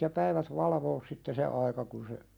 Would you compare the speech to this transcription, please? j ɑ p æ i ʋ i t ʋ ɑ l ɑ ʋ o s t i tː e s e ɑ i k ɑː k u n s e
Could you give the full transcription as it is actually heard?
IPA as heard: j ɑ p æ i ʋ æ t ʋ ɑ l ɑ ʋ oː s s i tː e s e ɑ i k ɑ k u n s e